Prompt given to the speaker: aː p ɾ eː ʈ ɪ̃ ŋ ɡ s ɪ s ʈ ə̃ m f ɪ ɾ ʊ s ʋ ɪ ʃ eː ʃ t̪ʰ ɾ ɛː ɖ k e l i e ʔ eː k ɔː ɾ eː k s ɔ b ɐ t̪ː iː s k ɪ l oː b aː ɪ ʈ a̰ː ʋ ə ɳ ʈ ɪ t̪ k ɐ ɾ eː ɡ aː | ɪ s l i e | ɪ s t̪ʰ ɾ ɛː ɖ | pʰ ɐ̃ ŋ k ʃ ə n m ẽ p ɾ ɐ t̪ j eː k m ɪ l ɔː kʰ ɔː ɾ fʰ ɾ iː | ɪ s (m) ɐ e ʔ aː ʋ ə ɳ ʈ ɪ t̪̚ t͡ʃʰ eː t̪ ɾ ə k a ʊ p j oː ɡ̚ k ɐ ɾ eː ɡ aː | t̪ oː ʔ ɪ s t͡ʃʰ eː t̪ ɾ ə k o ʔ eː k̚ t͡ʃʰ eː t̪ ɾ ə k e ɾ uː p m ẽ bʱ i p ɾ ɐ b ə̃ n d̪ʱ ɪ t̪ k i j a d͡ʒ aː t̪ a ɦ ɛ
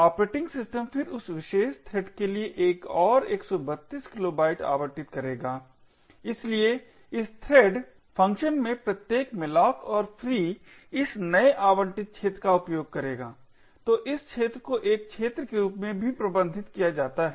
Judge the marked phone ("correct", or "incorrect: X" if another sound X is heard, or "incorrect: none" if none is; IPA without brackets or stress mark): incorrect: n